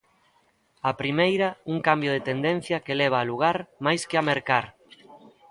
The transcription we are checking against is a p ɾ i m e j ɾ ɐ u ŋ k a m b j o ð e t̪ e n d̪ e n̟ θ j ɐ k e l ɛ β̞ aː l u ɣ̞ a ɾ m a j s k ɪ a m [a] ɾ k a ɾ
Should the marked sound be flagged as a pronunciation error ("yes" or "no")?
yes